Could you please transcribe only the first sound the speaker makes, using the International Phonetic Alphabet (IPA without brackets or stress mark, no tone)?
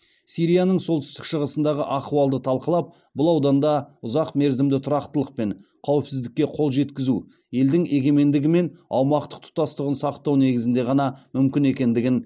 s